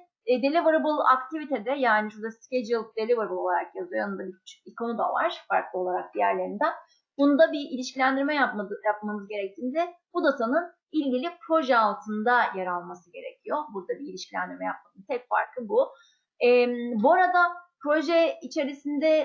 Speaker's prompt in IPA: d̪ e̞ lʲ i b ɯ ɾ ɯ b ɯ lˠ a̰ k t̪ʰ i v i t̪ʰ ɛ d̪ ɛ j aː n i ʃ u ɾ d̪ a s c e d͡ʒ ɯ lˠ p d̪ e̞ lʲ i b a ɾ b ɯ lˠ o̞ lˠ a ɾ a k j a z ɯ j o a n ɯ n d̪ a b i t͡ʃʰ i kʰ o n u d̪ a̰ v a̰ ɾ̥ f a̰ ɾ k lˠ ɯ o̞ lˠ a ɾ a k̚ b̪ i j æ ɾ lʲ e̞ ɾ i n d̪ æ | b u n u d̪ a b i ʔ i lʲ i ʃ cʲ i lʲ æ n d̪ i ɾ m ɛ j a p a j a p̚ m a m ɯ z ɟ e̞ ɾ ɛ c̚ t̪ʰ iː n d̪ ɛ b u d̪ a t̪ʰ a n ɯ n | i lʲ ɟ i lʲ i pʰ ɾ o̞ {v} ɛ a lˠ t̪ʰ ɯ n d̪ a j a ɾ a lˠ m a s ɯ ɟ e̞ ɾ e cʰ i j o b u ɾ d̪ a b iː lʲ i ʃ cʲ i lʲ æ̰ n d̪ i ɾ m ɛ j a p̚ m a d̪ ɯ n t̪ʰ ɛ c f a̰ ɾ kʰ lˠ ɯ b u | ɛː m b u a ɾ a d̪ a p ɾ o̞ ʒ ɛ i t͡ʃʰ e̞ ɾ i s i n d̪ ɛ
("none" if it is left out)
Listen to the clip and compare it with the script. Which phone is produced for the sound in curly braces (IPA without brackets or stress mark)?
ʒ